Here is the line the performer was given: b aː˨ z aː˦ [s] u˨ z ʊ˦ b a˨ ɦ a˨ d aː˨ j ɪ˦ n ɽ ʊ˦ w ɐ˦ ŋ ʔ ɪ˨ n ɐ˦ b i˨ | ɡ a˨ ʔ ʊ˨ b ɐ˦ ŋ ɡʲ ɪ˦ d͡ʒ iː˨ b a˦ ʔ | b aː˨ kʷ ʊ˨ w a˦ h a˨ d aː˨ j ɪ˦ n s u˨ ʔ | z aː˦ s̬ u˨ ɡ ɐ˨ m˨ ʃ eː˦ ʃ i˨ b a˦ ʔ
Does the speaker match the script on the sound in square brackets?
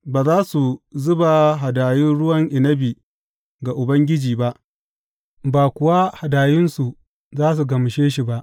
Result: yes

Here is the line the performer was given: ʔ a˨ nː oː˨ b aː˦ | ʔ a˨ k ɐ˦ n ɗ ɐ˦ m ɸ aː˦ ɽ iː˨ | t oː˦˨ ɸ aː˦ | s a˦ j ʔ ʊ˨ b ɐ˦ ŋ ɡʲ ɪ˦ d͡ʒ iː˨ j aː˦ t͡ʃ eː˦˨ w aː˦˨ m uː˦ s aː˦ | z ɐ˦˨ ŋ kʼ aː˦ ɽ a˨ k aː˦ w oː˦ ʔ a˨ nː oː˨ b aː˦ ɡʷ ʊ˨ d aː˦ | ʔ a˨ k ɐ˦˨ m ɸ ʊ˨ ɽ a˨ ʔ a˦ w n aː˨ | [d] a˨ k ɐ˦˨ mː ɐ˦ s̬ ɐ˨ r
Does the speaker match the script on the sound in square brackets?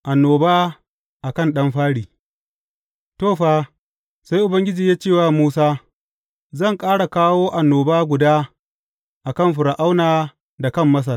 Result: yes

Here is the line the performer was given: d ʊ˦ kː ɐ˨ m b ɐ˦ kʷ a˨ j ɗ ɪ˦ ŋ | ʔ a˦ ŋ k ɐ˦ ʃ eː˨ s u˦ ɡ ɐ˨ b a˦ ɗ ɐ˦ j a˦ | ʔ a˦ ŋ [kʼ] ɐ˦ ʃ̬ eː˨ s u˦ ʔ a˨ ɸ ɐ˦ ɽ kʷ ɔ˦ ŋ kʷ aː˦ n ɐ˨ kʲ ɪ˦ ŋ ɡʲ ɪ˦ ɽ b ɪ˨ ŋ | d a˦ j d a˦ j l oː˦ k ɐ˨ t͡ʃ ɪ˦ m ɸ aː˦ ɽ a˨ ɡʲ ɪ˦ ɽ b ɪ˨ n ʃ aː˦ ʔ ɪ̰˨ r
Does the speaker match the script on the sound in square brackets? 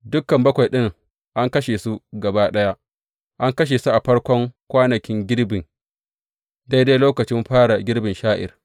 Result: no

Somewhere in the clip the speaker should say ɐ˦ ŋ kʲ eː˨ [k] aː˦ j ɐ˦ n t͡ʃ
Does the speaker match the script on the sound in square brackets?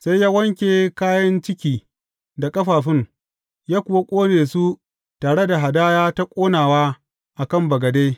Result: yes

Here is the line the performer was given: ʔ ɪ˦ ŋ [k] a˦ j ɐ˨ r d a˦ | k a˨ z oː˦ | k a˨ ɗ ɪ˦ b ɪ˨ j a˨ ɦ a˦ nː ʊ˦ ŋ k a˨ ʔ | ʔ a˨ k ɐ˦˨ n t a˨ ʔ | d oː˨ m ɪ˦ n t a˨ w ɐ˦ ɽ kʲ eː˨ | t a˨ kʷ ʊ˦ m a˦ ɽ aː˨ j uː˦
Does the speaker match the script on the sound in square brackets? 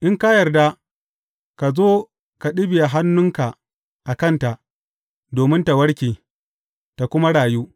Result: yes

